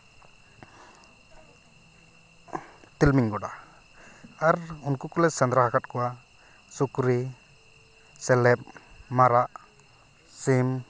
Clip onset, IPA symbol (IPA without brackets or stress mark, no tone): t̪